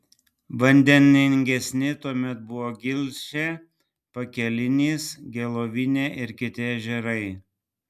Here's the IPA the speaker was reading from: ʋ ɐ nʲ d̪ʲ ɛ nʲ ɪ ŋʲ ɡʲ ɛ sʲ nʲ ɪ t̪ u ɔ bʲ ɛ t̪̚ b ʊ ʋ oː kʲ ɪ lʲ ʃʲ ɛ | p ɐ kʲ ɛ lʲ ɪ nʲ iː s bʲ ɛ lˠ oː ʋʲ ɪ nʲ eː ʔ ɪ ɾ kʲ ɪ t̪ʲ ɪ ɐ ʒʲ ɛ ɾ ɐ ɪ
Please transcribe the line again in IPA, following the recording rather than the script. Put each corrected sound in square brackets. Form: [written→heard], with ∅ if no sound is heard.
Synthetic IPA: ʋ ɐ nʲ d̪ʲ ɛ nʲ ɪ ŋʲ ɡʲ ɛ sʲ nʲ ɪ t̪ u ɔ [bʲ→mʲ] ɛ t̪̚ b ʊ ʋ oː [kʲ→ɡʲ] ɪ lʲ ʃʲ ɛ | p ɐ kʲ ɛ lʲ ɪ nʲ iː s [bʲ→ɡʲ] ɛ lˠ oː ʋʲ ɪ nʲ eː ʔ ɪ ɾ kʲ ɪ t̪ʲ ɪ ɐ ʒʲ ɛ ɾ ɐ ɪ